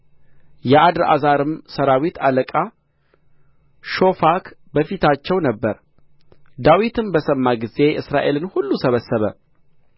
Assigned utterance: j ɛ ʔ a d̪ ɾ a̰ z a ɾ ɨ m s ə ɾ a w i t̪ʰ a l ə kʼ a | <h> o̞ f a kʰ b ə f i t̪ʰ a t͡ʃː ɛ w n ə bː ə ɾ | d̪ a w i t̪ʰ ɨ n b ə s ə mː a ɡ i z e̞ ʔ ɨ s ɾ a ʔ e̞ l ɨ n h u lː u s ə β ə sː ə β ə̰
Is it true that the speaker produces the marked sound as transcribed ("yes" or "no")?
no